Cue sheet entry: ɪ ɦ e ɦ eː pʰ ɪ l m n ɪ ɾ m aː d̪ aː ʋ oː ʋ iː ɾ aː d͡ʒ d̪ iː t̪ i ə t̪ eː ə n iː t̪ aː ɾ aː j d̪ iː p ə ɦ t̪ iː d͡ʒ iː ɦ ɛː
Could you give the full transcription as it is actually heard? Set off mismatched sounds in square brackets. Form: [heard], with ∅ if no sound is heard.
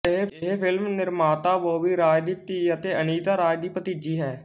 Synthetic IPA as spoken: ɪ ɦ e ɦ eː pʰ ɪ l m n ɪ ɾ m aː [t̪] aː ʋ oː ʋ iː ɾ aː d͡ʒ d̪ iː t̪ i ə t̪ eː ə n iː t̪ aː ɾ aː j d̪ iː p ə [∅] t̪ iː d͡ʒ iː ɦ ɛː